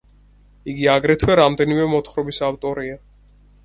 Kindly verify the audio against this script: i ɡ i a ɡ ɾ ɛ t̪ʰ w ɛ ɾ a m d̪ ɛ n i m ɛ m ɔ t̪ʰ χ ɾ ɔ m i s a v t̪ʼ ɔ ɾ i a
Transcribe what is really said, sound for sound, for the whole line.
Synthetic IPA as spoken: i ɡ i a ɡ ɾ ɛ t̪ʰ w ɛ ɾ a m d̪ ɛ n i m ɛ m ɔ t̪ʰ χ ɾ ɔ b i s a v t̪ʼ ɔ ɾ i a

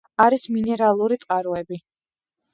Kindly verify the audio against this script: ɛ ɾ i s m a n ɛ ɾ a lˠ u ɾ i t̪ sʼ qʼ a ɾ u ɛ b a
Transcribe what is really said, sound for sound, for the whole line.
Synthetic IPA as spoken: a ɾ i s m i n ɛ ɾ a lˠ u ɾ i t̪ sʼ qʼ a ɾ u ɛ b i

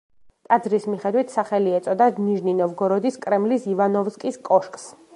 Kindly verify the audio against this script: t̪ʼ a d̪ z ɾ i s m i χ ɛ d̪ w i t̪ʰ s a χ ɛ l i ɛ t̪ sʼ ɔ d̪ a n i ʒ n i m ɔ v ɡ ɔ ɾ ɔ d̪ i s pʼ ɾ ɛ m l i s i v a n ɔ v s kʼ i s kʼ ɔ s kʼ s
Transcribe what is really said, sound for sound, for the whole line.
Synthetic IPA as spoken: t̪ʼ a d̪ z ɾ i s m i χ ɛ d̪ w i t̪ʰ s a χ ɛ l i ɛ t̪ sʼ ɔ d̪ a n i ʒ n i n ɔ v ɡ ɔ ɾ ɔ d̪ i s kʼ ɾ ɛ m l i s i v a n ɔ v s kʼ i s kʼ ɔ ʃ kʼ s

